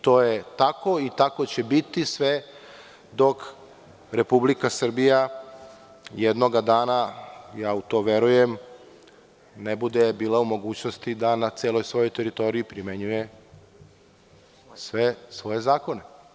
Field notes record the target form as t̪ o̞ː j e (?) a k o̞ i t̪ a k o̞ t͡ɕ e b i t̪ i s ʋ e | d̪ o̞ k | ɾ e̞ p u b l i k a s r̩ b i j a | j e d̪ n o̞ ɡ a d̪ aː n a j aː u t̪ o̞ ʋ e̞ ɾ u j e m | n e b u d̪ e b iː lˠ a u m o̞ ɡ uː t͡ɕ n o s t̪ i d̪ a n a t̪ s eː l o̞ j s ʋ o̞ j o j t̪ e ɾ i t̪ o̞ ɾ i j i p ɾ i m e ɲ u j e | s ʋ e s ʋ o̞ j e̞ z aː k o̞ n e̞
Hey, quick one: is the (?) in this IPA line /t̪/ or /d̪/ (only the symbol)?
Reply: t̪